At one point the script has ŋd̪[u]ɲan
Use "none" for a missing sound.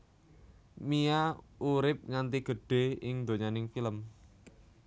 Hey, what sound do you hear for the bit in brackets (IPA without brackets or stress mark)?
o